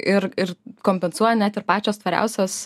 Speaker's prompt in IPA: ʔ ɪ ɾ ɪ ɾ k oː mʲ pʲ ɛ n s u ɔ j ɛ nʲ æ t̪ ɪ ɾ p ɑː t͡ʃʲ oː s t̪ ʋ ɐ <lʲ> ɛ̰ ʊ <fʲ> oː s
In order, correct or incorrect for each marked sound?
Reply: incorrect: ɾʲ, incorrect: sʲ

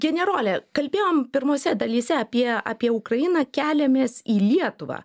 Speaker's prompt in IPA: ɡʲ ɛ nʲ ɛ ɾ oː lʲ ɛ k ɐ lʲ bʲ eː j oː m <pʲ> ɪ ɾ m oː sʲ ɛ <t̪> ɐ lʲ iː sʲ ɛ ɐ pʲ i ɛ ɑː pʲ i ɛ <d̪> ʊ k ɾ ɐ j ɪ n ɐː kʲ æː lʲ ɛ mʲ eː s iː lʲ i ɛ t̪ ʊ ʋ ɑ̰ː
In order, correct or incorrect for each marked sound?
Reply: correct, incorrect: d̪, incorrect: none

